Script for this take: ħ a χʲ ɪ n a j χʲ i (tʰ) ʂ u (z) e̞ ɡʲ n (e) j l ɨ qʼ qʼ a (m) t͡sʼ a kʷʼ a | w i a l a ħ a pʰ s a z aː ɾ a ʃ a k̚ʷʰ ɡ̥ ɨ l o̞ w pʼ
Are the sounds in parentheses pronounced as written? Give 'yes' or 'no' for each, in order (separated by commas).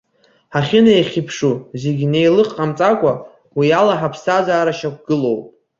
no, yes, yes, yes